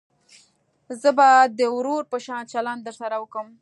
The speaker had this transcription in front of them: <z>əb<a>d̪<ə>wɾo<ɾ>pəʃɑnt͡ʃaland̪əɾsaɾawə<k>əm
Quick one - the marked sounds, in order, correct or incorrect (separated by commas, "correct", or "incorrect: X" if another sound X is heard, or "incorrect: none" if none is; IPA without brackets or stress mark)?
correct, correct, correct, correct, correct